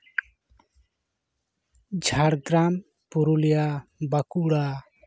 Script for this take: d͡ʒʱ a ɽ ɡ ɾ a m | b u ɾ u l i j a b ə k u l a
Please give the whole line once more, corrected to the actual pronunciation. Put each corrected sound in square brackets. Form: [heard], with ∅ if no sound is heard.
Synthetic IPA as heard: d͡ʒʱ a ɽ ɡ ɾ a m | [p] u ɾ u l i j a b [a] k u [ɽ] a